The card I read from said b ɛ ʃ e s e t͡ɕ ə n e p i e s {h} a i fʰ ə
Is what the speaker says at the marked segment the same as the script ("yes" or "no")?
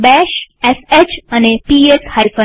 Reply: yes